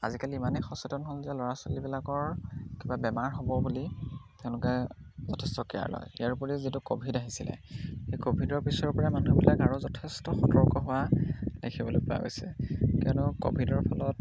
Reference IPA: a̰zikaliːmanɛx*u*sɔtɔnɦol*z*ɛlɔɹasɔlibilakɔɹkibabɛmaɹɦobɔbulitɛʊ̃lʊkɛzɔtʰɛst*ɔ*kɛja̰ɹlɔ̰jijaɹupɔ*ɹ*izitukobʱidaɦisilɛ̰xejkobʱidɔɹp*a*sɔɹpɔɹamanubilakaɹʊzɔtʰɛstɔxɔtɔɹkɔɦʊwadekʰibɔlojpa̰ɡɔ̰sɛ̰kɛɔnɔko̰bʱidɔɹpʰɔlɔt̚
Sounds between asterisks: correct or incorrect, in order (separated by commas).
incorrect, correct, correct, correct, incorrect